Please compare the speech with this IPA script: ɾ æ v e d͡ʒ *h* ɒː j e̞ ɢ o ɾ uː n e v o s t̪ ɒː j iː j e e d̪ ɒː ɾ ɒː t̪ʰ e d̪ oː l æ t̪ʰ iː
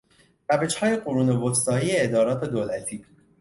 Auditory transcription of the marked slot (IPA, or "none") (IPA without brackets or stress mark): h